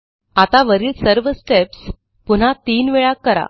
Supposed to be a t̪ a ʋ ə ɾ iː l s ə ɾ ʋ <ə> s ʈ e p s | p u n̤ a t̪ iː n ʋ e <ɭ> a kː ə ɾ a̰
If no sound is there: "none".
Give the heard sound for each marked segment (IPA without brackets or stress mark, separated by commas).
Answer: ə, ɭ